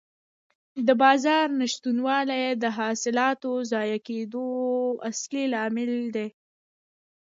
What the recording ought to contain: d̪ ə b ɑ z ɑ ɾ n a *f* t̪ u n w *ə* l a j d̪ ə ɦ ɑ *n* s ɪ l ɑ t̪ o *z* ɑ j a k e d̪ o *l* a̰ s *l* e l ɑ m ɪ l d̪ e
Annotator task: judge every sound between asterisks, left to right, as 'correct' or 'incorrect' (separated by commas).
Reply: incorrect, incorrect, incorrect, correct, incorrect, correct